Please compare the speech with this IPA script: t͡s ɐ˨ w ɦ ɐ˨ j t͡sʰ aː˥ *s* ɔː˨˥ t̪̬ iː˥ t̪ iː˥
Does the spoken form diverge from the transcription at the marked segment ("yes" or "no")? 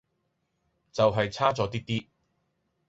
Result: yes